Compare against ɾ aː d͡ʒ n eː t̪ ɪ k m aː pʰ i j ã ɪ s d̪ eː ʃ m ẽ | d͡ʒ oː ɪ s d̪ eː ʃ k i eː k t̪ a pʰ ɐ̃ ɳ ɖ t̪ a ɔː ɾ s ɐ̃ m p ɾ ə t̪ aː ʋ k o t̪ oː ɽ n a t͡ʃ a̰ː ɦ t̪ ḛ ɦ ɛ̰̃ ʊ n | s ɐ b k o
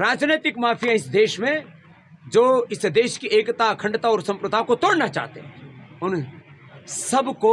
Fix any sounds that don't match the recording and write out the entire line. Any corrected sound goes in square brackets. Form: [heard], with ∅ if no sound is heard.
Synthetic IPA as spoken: ɾ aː d͡ʒ n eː t̪ ɪ k m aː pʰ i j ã ɪ s d̪ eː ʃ m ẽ | d͡ʒ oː ɪ s d̪ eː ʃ k i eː k t̪ a [kʰ] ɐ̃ ɳ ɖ t̪ a ɔː ɾ s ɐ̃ m p ɾ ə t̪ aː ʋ k o t̪ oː ɽ n a t͡ʃ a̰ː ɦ t̪ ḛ ɦ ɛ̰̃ ʊ n | s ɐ b k o